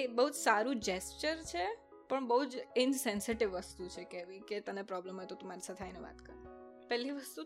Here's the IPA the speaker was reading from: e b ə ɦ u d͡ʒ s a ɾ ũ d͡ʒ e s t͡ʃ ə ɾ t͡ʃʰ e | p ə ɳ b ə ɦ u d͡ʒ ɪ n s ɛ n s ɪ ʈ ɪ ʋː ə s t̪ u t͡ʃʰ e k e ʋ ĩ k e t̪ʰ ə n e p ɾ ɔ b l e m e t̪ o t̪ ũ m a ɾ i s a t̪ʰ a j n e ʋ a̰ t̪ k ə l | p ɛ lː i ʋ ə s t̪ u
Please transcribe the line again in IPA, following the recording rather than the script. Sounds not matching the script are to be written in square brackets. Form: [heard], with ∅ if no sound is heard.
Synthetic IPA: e b ə ɦ u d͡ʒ s a ɾ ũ d͡ʒ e s t͡ʃ ə ɾ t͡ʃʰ e | p ə ɳ b ə ɦ u d͡ʒ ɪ n s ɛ n s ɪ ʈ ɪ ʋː ə s t̪ u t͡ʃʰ e k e ʋ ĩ k e [t̪] ə n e p ɾ ɔ b l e m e t̪ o t̪ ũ m a ɾ i s a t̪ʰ a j n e ʋ a̰ t̪ k ə [ɾ] | p ɛ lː i ʋ ə s t̪ u